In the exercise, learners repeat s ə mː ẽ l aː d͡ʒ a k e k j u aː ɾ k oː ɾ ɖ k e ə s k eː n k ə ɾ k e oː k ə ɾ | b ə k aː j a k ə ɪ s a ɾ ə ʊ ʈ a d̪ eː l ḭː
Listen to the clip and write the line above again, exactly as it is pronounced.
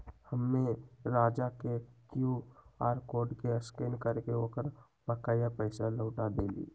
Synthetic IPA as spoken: h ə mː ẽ ɾ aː d͡ʒ a k e k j u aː ɾ k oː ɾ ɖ k e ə s k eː n k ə ɾ k e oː k ə ɾ | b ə k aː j a p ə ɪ s a l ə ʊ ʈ a d̪ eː l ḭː